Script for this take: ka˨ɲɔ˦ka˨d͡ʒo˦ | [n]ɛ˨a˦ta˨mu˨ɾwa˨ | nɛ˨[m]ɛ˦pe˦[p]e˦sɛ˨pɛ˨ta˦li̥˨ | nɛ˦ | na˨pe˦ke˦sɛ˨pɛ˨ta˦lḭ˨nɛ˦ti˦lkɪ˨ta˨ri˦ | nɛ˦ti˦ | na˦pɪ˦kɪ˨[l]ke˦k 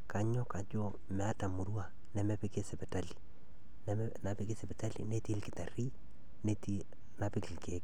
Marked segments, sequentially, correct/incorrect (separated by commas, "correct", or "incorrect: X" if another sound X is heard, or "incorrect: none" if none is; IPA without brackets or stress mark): incorrect: m, correct, incorrect: k, correct